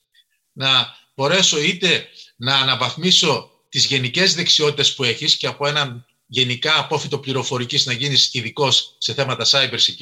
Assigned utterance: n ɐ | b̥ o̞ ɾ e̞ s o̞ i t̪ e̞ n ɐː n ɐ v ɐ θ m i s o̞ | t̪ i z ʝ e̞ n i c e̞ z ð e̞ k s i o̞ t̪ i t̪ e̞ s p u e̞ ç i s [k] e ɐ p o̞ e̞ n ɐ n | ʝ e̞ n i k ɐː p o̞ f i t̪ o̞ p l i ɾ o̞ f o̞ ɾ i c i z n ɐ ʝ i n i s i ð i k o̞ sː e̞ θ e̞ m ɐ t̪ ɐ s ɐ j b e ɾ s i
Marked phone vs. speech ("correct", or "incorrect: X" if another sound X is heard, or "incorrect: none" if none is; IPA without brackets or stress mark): incorrect: c